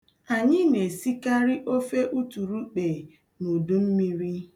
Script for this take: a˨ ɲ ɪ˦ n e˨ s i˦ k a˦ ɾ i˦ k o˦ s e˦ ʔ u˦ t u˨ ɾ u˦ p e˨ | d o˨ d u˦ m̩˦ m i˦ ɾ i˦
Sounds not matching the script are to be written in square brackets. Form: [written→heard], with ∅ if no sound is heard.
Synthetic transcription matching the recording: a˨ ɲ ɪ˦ n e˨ s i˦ k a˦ ɾ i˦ [k→ʔ] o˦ [s→f] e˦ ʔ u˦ t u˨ ɾ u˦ [p→k͡p] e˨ | [d→n] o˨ d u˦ m̩˦ m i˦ ɾ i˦